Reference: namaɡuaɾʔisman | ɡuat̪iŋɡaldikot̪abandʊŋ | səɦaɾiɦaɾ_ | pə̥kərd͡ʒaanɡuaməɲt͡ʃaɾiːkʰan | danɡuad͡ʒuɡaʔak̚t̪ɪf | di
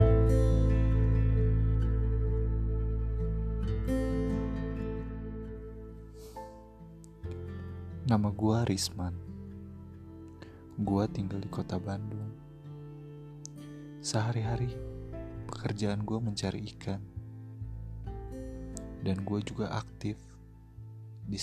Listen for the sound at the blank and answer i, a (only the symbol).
i